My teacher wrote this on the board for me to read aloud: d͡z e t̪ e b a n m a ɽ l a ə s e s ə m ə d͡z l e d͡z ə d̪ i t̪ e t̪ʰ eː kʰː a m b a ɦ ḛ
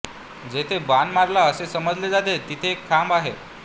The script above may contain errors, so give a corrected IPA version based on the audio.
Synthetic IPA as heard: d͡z e t̪ʰ e b a n m a ɾ l a ə s e s ə m ə d͡z l e d͡z a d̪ e t̪ i t̪ʰ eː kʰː a m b a ɦ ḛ